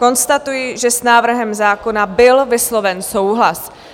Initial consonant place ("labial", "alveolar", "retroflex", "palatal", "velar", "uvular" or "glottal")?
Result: velar